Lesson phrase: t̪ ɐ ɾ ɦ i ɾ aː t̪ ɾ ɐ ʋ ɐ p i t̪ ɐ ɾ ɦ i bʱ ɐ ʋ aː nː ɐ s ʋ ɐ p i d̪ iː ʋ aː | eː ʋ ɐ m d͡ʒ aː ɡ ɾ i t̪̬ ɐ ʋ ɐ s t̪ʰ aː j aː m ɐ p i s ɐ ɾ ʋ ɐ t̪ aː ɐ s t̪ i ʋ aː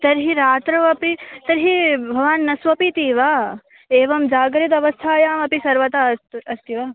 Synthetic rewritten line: t̪ ɐ ɾ ɦ i ɾ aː t̪ ɾ ɐ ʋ ɐ p i t̪ ɐ ɾ ɦ i bʱ ɐ ʋ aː nː ɐ s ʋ ɐ p i t̪ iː ʋ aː | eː ʋ ɐ m d͡ʒ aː ɡ ɾ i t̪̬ ɐ ʋ ɐ s t̪ʰ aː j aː m ɐ p i s ɐ ɾ ʋ ɐ t̪ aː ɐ s t̪ i ʋ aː